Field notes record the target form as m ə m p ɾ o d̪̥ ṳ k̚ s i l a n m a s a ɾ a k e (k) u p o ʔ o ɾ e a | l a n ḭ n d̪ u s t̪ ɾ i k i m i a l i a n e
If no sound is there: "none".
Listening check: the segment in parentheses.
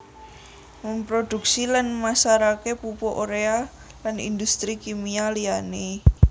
p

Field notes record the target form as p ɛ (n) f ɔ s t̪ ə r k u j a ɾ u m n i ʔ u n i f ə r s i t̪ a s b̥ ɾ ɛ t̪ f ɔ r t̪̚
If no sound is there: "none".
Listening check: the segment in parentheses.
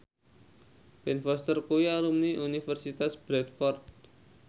n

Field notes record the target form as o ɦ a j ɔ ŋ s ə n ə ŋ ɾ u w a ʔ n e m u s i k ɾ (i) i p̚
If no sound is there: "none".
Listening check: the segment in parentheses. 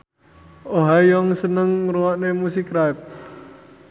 a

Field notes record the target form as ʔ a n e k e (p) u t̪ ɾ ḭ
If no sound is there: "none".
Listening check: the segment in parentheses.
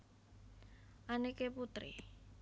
p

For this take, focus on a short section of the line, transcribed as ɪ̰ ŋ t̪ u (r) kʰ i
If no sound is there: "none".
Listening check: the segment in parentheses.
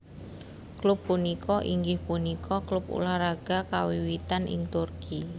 r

